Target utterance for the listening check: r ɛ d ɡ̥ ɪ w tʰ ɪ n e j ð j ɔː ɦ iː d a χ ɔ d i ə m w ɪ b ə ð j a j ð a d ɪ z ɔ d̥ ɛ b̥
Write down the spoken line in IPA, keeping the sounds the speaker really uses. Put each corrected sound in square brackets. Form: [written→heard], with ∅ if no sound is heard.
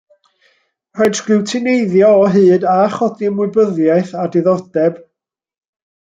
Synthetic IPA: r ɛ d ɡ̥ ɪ w tʰ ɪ n e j ð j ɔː ɦ [iː→ɨː] d a χ ɔ d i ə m w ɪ b ə ð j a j [ð→θ] a d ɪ [z→ð] ɔ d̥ ɛ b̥